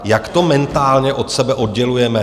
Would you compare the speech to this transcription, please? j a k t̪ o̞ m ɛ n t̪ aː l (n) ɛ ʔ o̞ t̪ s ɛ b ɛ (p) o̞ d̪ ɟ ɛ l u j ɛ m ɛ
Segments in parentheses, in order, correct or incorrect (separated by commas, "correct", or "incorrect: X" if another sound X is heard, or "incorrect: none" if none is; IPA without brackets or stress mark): incorrect: ɲ, incorrect: ʔ